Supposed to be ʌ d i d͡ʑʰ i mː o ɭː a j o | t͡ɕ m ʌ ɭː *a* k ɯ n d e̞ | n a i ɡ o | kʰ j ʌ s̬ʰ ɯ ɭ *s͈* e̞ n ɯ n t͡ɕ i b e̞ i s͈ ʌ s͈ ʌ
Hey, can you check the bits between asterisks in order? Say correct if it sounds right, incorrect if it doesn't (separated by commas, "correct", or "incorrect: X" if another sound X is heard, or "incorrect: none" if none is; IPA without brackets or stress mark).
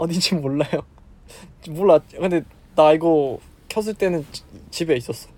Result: correct, incorrect: t͈